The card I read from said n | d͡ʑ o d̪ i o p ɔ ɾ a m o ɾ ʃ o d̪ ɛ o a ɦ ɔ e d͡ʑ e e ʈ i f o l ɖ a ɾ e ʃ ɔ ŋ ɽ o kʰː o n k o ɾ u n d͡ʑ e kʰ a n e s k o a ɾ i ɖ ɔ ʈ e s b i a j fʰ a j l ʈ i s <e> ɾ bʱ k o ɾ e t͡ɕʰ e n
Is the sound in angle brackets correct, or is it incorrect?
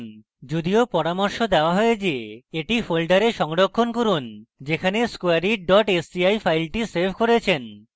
correct